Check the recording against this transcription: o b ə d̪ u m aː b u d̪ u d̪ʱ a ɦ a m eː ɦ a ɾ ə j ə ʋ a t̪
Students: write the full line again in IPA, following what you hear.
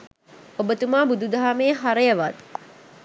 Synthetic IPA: o b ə t̪ u m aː b u d̪ u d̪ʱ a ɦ a m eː ɦ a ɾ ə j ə ʋ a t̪